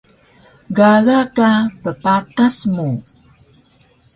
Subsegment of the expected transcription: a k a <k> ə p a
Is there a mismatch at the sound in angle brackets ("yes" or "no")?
yes